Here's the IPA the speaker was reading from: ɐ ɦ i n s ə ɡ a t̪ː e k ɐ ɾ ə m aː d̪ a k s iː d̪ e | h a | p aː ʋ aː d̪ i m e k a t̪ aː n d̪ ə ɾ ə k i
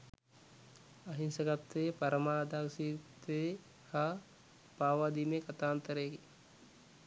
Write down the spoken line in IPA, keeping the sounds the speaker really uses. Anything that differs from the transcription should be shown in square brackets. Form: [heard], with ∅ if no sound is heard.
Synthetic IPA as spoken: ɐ ɦ i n s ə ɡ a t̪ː e [p] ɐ ɾ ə m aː d̪ a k s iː [t̪] e | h a | p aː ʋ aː d̪ i m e k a t̪ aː n [t̪] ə ɾ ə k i